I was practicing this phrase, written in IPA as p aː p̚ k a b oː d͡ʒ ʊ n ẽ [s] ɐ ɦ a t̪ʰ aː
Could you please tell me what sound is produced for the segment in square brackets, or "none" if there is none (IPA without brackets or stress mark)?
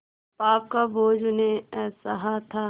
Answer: s